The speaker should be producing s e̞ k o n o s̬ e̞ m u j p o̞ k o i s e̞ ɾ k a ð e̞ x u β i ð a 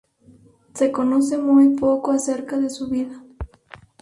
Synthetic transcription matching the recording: s e̞ k o n o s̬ e̞ m u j p o̞ k o a s e̞ ɾ k a ð e̞ s u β i ð a